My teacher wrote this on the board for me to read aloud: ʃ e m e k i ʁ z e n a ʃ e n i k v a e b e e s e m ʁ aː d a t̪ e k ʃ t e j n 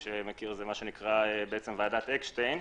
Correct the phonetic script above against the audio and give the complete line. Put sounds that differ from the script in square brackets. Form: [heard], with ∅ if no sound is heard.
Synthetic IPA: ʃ e m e k i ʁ z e [m] a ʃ e n i k [ʁ] a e b e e [t͡s] e m [v] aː d a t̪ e k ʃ t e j n